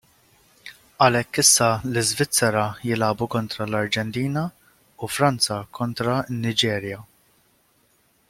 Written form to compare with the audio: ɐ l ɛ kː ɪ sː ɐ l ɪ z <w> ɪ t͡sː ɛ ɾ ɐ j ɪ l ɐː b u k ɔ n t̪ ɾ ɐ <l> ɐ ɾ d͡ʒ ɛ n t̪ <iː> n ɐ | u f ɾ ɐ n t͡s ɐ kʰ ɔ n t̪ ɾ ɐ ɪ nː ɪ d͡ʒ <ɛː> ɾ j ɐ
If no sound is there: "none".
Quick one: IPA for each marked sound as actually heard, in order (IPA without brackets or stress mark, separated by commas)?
v, l, iː, ɛː